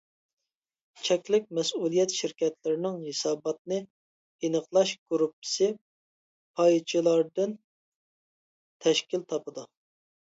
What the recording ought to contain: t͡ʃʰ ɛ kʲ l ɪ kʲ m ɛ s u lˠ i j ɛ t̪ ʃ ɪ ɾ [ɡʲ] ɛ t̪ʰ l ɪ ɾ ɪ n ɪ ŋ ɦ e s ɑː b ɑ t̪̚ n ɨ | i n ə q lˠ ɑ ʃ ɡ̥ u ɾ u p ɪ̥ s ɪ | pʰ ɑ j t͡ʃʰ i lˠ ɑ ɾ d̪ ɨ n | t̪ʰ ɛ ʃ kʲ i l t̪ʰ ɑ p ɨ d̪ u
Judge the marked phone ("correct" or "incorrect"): incorrect